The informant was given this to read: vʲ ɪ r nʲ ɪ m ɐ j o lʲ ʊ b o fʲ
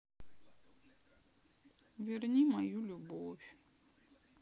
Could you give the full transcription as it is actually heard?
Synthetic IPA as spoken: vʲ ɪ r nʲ i m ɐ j u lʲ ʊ b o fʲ